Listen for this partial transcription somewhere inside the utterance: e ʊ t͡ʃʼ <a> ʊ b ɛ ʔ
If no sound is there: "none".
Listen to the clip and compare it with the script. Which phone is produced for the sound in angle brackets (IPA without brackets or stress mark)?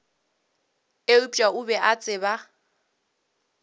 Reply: a